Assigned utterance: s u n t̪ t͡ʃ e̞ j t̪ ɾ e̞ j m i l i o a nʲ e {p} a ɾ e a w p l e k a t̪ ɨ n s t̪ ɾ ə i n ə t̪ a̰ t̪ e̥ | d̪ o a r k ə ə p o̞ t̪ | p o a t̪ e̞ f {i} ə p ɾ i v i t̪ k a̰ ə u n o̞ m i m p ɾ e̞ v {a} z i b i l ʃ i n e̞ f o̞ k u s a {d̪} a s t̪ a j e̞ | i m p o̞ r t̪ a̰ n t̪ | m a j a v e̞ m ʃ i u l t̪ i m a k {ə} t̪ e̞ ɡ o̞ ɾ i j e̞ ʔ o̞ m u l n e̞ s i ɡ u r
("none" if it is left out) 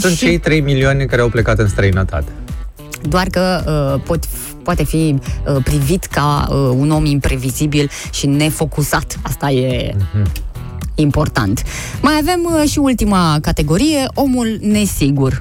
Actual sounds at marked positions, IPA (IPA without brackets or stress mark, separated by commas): k, i, i, t̪, a